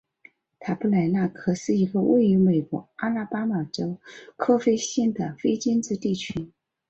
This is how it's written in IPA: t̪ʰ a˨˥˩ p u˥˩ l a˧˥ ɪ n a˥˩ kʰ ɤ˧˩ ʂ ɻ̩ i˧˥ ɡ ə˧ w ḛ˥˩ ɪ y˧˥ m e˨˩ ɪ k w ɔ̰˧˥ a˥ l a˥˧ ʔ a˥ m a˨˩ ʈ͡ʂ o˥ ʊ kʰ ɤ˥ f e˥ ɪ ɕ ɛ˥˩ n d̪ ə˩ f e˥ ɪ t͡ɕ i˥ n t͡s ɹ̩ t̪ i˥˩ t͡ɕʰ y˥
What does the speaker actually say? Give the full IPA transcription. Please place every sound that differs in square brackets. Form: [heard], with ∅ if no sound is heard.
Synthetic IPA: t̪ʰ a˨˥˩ p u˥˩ l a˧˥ ɪ n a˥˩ kʰ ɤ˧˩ ʂ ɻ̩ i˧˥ ɡ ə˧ w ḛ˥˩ ɪ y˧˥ m e˨˩ ɪ k w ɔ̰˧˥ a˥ l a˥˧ [p] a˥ m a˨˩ ʈ͡ʂ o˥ ʊ kʰ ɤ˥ f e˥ ɪ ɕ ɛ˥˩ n d̪ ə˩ f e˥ ɪ t͡ɕ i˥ n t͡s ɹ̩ t̪ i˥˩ t͡ɕʰ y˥